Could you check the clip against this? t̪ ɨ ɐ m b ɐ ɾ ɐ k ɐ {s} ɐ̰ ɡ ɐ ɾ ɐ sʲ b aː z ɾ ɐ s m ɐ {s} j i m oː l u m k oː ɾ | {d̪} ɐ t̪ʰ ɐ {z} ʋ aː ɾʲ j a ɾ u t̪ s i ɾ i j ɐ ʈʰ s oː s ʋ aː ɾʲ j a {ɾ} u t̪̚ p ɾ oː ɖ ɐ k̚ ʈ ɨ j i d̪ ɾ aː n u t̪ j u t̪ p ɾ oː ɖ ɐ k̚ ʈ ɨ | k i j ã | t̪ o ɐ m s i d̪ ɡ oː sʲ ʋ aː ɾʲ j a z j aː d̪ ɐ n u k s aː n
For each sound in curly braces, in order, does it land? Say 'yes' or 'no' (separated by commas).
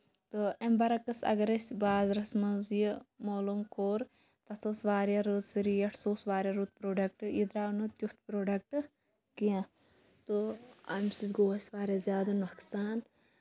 yes, no, no, no, yes